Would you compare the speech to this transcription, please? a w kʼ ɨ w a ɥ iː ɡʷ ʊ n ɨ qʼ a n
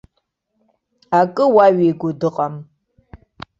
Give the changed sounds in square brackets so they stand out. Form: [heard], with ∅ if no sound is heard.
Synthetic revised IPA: a [∅] kʼ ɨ w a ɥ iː ɡʷ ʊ [d] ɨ qʼ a [m]